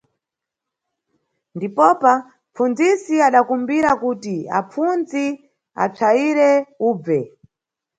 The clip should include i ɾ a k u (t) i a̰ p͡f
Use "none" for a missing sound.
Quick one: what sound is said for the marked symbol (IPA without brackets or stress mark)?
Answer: t